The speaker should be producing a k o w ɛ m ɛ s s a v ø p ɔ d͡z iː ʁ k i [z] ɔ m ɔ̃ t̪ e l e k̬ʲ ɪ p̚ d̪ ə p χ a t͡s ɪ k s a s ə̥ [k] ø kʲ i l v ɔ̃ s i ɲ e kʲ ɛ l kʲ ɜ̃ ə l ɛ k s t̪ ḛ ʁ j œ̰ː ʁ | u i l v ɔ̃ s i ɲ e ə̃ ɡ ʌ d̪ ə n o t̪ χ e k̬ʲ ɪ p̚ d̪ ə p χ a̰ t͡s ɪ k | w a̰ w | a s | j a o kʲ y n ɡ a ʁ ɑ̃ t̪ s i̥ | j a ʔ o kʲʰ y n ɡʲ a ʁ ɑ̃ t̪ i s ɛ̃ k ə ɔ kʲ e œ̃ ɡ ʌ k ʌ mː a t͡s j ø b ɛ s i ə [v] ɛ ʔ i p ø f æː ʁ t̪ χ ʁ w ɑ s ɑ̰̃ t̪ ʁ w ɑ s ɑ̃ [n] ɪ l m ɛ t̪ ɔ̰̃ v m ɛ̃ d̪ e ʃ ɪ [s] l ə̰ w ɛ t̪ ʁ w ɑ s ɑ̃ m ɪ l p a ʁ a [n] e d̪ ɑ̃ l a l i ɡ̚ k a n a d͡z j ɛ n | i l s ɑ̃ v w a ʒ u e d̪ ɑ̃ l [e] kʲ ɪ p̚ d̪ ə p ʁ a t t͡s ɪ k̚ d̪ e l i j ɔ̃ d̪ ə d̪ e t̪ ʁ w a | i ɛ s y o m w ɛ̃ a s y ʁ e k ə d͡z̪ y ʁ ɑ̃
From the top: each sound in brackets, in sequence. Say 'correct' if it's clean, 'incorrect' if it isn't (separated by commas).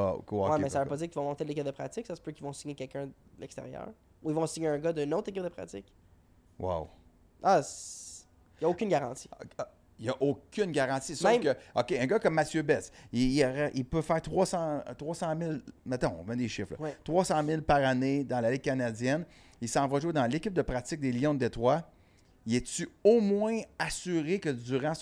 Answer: incorrect, incorrect, incorrect, incorrect, incorrect, correct, correct